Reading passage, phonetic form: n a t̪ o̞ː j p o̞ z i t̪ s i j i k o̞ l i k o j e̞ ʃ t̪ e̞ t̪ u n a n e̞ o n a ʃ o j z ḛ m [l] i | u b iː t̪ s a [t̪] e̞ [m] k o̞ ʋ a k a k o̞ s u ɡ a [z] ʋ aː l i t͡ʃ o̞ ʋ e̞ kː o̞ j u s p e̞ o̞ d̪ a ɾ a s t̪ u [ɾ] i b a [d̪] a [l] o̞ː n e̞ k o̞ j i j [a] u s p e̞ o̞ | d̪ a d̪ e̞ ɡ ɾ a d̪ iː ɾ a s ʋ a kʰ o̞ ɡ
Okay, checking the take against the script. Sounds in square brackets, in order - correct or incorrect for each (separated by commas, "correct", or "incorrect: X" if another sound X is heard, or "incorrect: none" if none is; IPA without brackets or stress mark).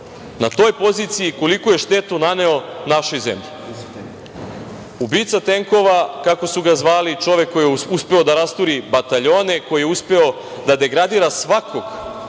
incorrect: ʎ, correct, incorrect: ŋ, correct, correct, incorrect: t̪, incorrect: ʎ, incorrect: e